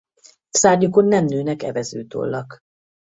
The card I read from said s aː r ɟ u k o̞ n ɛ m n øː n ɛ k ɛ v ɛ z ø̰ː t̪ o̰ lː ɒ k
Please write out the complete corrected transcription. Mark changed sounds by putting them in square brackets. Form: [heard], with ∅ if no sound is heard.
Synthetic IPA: s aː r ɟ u k o̞ [nː] ɛ m n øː n ɛ k ɛ v ɛ z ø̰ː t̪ o̰ lː ɒ k